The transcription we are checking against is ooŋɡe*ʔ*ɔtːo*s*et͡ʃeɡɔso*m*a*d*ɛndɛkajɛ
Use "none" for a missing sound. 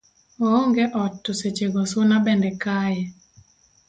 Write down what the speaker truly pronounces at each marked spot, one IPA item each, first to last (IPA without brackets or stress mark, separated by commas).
ʔ, s, n, b